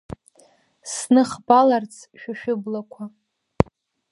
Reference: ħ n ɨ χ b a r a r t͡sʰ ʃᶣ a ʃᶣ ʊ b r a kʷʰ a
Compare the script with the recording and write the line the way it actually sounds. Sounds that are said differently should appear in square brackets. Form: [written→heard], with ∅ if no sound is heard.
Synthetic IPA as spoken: [ħ→s] n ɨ χ b a [r→l] a r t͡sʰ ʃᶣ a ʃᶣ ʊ b [r→l] a kʷʰ a